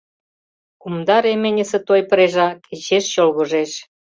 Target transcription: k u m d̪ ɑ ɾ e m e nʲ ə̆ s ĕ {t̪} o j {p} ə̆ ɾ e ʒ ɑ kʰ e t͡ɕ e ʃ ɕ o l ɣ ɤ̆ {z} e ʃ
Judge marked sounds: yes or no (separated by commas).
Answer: yes, yes, no